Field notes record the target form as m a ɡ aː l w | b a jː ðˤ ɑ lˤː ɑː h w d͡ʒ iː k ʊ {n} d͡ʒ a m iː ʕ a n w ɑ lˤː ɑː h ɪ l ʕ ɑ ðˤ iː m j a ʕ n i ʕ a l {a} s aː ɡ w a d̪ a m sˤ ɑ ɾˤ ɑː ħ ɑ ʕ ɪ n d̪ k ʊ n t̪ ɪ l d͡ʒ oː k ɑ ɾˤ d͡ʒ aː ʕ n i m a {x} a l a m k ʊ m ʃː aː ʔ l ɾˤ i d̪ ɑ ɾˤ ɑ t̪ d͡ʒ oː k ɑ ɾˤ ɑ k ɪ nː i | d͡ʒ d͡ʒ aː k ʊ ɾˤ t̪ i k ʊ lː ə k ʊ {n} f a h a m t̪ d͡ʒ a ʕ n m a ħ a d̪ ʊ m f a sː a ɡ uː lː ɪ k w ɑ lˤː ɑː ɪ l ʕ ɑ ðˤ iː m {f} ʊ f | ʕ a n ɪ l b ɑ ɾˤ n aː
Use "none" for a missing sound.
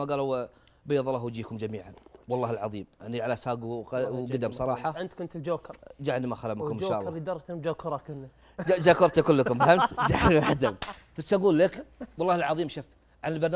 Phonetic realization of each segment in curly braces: m, a, x, m, ʃ

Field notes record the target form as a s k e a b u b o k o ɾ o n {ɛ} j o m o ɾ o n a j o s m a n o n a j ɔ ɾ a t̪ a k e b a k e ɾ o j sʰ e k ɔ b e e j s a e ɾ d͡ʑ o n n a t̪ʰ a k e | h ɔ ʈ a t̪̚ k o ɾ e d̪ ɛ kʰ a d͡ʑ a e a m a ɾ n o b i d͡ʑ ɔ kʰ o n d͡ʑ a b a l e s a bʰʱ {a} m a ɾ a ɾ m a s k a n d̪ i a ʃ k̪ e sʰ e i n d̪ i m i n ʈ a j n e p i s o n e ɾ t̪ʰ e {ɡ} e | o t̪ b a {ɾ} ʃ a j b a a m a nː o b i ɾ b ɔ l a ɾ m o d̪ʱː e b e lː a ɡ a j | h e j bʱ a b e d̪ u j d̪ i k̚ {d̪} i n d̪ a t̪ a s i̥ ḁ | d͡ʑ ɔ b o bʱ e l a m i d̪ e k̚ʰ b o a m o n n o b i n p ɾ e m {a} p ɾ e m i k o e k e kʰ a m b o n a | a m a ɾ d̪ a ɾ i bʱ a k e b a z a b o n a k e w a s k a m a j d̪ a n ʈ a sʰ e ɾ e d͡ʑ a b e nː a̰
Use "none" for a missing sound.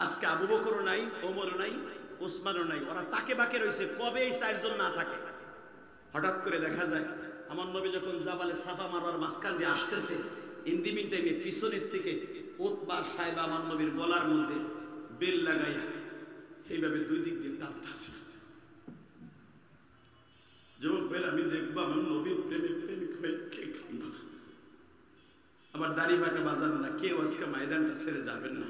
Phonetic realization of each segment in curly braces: a, a, k, ɾ, d̪, e

